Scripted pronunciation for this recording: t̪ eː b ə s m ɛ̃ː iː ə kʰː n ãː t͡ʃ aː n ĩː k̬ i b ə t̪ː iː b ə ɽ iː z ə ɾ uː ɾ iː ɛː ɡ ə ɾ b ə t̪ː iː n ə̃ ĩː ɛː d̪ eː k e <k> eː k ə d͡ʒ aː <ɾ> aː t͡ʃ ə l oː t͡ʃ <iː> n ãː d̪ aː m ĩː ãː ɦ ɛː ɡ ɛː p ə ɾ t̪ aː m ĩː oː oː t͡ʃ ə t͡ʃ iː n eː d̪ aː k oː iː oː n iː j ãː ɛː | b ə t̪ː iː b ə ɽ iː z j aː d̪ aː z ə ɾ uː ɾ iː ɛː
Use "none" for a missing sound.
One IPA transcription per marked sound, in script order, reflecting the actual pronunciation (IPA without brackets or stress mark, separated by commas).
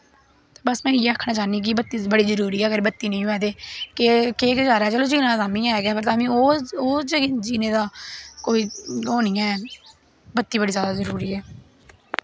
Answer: k, ɾ, iː